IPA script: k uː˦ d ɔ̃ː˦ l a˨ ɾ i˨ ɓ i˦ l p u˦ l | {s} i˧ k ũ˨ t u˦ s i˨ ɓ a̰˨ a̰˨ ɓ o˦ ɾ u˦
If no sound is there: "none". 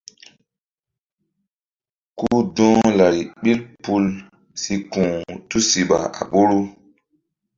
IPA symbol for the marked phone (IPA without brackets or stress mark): s